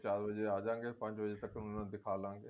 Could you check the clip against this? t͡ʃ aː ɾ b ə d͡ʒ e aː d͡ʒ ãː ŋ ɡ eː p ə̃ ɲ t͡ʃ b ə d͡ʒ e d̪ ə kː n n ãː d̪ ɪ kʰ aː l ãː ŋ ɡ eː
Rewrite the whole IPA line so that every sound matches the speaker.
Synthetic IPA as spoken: t͡ʃ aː ɾ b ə d͡ʒ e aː d͡ʒ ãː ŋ ɡ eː p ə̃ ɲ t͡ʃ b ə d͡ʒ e t̪ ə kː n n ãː d̪ ɪ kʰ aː l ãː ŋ ɡ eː